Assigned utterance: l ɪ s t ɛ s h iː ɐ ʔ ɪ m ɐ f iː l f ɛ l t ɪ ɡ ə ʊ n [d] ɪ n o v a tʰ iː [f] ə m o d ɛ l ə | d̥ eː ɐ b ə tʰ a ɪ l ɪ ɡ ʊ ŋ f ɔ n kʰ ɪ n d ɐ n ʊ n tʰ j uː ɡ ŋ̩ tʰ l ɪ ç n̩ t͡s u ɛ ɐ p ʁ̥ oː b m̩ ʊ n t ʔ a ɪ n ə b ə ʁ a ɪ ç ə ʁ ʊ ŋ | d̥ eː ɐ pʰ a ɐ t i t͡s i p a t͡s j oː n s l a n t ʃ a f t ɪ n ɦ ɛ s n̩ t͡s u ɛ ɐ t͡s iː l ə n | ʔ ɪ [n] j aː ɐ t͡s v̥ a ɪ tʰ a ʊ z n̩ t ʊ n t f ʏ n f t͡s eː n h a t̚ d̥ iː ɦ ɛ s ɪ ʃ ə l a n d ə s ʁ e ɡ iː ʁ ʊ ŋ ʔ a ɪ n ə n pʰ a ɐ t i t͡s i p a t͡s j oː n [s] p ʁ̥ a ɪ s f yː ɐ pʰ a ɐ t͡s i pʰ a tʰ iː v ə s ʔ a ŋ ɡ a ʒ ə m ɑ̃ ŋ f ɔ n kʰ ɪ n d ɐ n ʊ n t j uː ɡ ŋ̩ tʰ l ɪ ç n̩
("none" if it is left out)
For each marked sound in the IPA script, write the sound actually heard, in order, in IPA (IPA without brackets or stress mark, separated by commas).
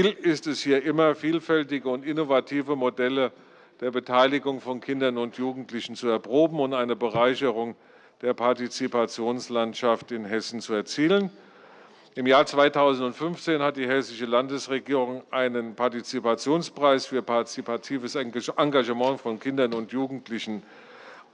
t, v, m, s